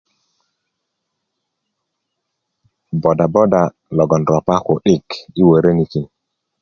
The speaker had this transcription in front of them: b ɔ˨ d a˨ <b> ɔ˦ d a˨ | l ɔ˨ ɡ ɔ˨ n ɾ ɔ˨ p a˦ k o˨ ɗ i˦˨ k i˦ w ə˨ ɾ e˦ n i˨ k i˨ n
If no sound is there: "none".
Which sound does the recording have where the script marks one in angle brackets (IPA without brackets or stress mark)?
b